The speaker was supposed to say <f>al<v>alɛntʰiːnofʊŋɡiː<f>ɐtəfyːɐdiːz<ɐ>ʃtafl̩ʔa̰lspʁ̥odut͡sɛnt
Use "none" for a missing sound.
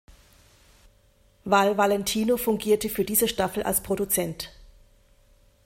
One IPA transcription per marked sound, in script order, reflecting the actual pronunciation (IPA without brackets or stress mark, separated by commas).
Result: v, v, none, ə